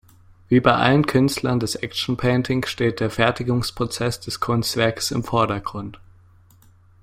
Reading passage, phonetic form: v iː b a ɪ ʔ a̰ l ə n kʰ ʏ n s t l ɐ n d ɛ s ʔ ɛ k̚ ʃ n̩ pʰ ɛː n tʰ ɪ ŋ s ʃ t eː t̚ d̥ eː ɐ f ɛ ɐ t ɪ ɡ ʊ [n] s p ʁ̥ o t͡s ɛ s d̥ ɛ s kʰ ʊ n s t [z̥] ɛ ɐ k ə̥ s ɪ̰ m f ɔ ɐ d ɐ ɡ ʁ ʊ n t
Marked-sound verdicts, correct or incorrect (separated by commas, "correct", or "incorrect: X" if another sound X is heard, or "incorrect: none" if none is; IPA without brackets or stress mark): incorrect: ŋ, incorrect: v̥